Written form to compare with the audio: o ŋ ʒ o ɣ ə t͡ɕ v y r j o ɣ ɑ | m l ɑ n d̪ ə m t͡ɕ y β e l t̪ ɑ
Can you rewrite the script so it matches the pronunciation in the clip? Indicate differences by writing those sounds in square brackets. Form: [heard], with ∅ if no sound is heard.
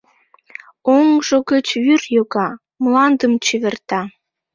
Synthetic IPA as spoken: o ŋ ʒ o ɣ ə t͡ɕ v y r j o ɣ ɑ | m l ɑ n d̪ ə m t͡ɕ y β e [r] t̪ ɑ